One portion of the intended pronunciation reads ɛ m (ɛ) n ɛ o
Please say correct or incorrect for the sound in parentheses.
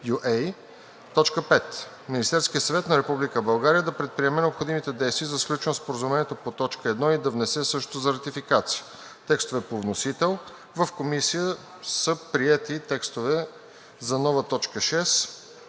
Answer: correct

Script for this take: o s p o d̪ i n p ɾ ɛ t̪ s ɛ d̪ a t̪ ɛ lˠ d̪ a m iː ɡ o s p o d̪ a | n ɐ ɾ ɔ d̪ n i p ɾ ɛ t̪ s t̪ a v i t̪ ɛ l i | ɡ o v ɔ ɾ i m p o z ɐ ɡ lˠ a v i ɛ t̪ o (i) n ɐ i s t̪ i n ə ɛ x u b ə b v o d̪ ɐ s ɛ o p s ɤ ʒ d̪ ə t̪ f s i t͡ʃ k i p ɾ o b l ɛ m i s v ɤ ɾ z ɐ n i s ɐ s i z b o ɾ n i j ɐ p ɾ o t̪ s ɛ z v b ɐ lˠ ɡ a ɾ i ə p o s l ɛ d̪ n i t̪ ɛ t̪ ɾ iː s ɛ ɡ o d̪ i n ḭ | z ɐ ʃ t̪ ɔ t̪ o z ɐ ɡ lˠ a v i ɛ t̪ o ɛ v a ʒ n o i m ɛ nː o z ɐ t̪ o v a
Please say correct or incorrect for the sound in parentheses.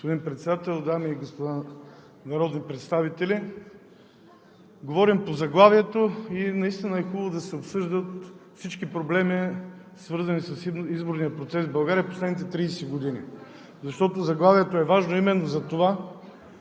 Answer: correct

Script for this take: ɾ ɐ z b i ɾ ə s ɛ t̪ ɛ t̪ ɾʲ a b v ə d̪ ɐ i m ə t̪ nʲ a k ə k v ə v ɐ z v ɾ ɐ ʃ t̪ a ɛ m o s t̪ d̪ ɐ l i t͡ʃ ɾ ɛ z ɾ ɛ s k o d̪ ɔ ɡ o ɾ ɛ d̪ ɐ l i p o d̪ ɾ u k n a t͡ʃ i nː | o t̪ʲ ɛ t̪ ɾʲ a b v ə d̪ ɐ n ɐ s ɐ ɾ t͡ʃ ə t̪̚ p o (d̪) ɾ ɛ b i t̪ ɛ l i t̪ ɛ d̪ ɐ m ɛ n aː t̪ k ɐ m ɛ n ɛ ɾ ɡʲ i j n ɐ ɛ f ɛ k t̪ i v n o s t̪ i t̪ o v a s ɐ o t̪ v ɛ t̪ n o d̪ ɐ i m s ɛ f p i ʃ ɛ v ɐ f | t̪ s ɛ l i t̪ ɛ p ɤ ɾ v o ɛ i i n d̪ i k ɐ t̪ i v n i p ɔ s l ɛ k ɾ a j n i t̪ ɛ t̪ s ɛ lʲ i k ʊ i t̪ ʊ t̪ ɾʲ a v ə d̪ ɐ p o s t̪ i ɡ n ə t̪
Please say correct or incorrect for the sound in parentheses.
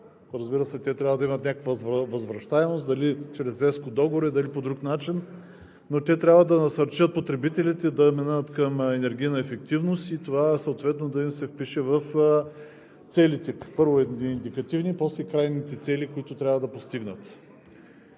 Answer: incorrect: t̪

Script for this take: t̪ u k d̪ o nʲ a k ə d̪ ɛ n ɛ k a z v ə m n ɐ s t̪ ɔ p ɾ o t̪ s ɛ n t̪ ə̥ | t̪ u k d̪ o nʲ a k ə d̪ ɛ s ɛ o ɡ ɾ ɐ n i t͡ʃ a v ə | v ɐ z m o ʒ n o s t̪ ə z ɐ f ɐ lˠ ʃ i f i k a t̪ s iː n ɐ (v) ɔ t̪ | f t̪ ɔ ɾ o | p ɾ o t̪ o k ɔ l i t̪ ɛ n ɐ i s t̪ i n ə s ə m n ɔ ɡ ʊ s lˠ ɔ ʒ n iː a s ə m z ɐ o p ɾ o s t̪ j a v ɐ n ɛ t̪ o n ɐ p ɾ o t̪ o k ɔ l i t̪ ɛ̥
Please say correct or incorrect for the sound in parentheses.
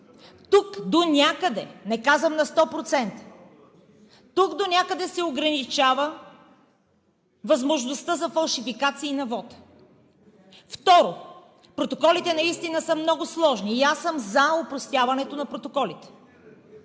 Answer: correct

